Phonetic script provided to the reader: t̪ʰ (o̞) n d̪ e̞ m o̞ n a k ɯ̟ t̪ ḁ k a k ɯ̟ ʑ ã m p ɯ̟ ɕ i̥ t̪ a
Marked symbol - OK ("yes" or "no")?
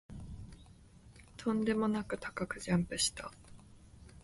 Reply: no